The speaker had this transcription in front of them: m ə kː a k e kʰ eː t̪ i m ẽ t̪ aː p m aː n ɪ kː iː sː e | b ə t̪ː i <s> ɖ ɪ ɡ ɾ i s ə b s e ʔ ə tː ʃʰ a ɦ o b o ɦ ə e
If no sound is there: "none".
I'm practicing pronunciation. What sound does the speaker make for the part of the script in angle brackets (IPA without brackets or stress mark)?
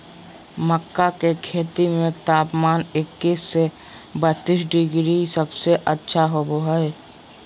s